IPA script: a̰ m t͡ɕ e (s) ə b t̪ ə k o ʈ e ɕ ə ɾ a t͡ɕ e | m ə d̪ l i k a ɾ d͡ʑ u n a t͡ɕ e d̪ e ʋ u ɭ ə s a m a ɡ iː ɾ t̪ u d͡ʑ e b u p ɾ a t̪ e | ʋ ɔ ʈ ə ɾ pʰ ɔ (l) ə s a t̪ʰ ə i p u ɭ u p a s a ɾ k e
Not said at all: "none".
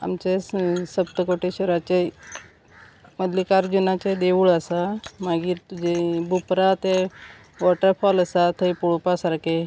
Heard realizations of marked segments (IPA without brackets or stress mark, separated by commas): s, l